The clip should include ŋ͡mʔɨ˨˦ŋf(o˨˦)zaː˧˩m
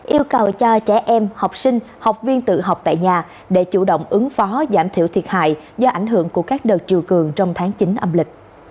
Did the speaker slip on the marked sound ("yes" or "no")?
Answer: yes